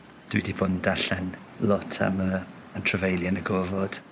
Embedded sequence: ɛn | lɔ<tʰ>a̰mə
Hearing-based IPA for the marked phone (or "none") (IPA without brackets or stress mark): tʰ